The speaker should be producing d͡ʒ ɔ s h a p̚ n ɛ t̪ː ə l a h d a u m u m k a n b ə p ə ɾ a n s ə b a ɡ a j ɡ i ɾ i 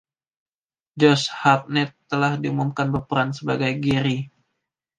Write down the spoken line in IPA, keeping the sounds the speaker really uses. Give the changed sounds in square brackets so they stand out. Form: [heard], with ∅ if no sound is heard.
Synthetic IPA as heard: d͡ʒ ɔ s h a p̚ n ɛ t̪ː ə l a h d [i] u m u m k a n b ə p ə ɾ a n s ə b a ɡ a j ɡ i ɾ i